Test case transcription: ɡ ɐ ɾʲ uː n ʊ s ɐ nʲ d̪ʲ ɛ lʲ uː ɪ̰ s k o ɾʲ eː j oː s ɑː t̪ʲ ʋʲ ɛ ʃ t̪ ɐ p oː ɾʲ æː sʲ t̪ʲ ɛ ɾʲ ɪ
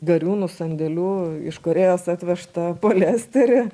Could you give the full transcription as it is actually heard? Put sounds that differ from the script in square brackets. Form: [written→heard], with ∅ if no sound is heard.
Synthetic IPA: ɡ ɐ ɾʲ uː n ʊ s ɐ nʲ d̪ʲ ɛ lʲ uː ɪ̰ [s→ʃ] k o ɾʲ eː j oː s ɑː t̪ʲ ʋʲ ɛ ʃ t̪ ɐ p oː [ɾʲ→lʲ] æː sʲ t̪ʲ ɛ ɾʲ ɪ